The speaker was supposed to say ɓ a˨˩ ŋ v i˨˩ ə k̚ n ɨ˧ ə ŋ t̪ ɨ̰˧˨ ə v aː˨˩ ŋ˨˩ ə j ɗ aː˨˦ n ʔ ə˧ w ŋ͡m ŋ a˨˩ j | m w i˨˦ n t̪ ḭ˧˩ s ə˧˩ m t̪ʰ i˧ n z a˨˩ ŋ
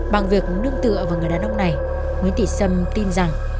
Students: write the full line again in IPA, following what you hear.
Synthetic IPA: ɓ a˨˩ ŋ v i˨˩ ə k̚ n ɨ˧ ə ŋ t̪ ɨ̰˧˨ ə v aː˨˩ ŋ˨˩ ə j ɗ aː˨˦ n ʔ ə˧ w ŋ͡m n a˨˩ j | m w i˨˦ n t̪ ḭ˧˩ s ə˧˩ m t̪ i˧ n z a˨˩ ŋ